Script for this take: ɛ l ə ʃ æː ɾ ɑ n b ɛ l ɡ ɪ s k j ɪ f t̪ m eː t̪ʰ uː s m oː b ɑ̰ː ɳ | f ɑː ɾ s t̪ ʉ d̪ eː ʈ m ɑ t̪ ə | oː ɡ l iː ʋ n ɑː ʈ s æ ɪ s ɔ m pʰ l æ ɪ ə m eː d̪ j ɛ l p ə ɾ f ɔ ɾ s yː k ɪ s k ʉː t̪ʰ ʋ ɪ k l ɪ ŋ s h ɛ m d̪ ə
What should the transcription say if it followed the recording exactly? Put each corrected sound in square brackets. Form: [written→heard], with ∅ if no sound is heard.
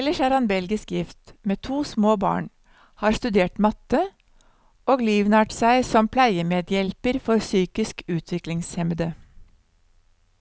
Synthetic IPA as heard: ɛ l ə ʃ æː ɾ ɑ n b ɛ l ɡ ɪ s k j ɪ f t̪ m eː t̪ʰ uː s m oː b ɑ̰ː ɳ | [f→h] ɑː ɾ s t̪ ʉ d̪ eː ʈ m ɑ t̪ ə | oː ɡ l iː ʋ n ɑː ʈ s æ ɪ s ɔ m pʰ l æ ɪ ə m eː d̪ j ɛ l p ə ɾ f ɔ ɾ s yː k ɪ s k ʉː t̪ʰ ʋ ɪ k l ɪ ŋ s h ɛ m d̪ ə